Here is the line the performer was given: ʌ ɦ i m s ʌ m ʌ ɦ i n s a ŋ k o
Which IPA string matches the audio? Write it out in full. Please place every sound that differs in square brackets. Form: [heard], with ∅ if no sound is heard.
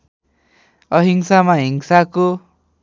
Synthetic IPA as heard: ʌ ɦ i [ŋ] s [a] m [a] ɦ i [ŋ] s a [∅] k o